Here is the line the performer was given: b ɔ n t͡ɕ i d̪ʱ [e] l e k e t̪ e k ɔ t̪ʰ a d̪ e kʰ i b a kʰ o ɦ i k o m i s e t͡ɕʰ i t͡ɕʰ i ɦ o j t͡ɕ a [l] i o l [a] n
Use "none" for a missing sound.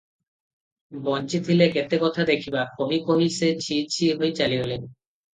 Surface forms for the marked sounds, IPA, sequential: i, l, e

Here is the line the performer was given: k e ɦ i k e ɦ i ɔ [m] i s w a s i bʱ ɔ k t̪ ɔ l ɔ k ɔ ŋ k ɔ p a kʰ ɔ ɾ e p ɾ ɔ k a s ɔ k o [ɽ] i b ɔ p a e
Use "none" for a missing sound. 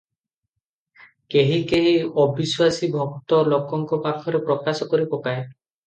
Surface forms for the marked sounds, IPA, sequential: b, ɾ

